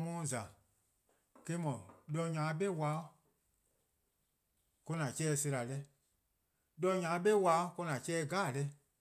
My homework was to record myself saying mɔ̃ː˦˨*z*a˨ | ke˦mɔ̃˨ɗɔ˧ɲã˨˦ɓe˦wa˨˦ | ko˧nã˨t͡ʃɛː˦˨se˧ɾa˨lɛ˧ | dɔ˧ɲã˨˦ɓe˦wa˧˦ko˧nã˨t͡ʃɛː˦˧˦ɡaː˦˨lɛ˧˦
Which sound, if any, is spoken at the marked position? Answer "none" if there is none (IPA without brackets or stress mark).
z